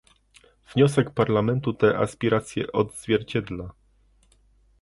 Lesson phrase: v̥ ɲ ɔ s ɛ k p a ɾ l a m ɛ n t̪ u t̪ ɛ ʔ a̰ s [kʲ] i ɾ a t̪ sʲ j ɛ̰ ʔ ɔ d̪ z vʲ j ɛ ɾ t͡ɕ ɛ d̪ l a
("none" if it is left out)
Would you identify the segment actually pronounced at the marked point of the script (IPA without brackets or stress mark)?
pʲ